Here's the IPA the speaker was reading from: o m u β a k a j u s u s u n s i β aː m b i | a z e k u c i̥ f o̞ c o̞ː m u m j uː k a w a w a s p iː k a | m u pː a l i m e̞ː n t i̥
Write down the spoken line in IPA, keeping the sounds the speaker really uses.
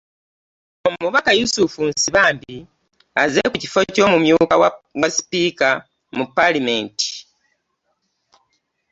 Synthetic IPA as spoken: o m u β a k a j u s u f u n s i β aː m b i | a z e k u c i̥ f o̞ c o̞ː m u m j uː k a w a w a s p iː k a | m u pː a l i m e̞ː n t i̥